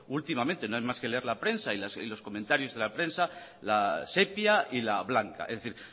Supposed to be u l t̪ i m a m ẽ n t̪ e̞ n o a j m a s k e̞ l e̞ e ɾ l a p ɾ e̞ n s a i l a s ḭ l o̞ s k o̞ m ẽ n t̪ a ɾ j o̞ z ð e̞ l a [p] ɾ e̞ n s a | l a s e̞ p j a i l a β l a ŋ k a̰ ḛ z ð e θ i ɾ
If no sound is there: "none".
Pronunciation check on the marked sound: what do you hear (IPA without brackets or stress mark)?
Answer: p